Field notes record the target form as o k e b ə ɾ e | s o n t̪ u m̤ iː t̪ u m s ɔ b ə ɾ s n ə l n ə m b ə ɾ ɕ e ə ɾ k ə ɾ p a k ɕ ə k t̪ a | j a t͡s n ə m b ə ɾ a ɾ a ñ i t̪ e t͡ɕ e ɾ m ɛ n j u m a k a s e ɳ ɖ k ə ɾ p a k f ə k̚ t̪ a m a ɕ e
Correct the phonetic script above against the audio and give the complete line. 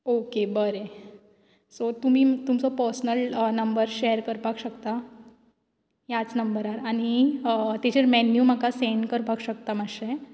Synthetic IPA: o k e b ə ɾ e | s o t̪ u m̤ iː t̪ u m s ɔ p ə ɾ s n ə l n ə m b ə ɾ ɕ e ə ɾ k ə ɾ p a k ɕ ə k t̪ a | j a t͡s n ə m b ə ɾ a ɾ a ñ i t̪ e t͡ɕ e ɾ m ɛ n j u m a k a s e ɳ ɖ k ə ɾ p a k ɕ ə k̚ t̪ a m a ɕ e

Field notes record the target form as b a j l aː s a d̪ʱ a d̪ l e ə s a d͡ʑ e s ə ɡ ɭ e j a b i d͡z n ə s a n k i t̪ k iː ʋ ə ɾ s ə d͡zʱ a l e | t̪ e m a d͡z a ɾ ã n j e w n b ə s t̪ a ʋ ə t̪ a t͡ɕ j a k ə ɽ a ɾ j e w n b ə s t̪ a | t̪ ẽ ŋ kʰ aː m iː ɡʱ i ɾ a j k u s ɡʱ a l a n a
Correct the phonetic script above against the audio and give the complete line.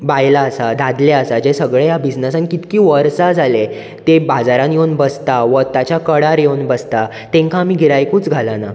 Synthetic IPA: b a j l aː s a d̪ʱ a d̪ l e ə s a d͡ʑ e s ə ɡ ɭ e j a b i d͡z n ə s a n k i t̪ k iː ʋ ə ɾ s a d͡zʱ a l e | t̪ e b a d͡z a ɾ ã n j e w n b ə s t̪ a ʋ ə t̪ a t͡ɕ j a k ə ɽ a ɾ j e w n b ə s t̪ a | t̪ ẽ ŋ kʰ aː m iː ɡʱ i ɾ a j k u t͡s ɡʱ a l a n a

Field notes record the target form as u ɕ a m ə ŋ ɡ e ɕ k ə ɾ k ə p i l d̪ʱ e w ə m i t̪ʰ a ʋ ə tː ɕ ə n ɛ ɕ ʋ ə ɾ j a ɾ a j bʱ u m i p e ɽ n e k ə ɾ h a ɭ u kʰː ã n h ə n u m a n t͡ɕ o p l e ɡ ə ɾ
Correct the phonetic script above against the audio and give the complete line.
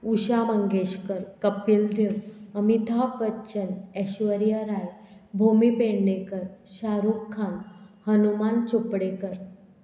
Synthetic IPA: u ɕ a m ə ŋ ɡ e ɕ k ə ɾ k ə p i l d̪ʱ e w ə m i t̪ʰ a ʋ ə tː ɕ ə n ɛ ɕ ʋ ə ɾ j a ɾ a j bʱ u m i p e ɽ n e k ə ɾ ɕ a ɾ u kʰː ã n h ə n u m a n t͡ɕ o p ɽ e k ə ɾ

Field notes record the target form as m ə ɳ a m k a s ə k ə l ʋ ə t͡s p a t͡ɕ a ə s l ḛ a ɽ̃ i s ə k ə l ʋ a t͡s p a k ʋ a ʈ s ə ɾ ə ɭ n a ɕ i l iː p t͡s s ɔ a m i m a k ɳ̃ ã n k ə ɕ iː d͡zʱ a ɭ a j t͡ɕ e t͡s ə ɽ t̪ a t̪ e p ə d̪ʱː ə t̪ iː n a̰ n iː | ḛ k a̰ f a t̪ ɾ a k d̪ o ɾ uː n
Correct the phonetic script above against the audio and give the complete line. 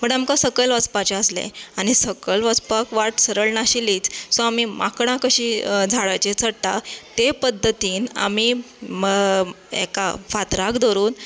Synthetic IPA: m ə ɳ a m k a s ə k ə l ʋ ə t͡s p a t͡ɕ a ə s l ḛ a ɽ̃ i s ə k ə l ʋ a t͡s p a k ʋ a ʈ s ə ɾ ə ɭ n a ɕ i l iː t͡s s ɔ a m i m a k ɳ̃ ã k ə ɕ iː d͡zʱ a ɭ a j t͡ɕ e t͡s ə ɽ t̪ a t̪ e p ə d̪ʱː ə t̪ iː n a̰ m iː | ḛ k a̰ f a t̪ ɾ a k d̪ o ɾ uː n

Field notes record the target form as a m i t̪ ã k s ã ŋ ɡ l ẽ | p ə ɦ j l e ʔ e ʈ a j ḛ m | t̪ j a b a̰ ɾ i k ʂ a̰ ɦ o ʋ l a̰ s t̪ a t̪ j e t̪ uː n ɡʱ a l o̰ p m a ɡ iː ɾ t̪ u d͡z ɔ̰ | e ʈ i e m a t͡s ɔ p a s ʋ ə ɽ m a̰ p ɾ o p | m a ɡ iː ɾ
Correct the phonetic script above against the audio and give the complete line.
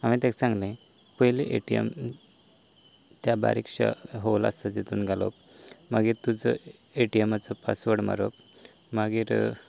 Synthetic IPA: a m i t̪ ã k s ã ŋ ɡ l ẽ | p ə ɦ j l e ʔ e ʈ i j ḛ m | t̪ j a b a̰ ɾ i k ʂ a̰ ɦ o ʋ l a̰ s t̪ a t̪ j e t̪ uː n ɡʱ a l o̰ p m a ɡ iː ɾ t̪ u d͡z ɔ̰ | e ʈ i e m a t͡s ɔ p a s ʋ ə ɽ m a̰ ɾ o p | m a ɡ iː ɾ

